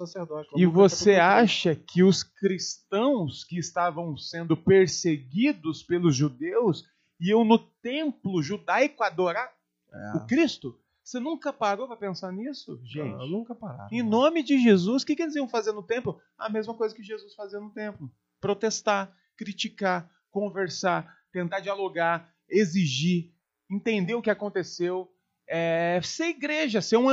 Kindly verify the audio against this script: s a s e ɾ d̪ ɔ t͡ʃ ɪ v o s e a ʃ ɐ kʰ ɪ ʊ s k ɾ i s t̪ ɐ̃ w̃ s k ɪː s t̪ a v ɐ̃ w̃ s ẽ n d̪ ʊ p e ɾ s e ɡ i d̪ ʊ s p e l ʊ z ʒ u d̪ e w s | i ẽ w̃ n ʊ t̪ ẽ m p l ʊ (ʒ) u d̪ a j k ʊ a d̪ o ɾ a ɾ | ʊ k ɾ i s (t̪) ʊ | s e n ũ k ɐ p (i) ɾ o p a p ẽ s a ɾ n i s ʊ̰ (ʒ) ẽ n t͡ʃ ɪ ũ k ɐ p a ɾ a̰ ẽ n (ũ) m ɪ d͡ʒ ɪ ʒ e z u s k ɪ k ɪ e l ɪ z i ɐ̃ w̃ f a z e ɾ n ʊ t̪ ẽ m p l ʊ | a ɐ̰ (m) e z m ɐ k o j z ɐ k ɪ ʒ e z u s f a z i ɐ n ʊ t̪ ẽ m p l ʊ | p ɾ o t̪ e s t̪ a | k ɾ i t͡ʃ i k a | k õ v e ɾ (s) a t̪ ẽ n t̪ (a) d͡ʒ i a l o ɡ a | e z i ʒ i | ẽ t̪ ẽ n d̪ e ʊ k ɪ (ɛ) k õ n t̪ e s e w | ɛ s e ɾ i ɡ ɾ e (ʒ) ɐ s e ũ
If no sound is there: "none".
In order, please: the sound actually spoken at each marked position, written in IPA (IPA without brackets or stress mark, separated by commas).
ʒ, t̪, a, ʒ, õ, m, s, a, a, ʒ